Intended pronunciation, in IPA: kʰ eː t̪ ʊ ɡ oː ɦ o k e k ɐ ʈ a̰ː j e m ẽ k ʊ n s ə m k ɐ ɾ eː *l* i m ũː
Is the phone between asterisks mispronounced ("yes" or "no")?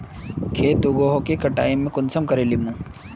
no